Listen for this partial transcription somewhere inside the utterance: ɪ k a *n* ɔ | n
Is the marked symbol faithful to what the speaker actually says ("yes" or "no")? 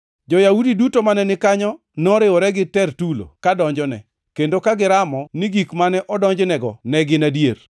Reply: no